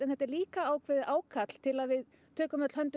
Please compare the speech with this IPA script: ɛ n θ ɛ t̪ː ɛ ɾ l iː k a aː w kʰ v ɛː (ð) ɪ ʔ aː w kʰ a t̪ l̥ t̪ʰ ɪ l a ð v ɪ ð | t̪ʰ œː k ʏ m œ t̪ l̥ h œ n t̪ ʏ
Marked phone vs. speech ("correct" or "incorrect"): correct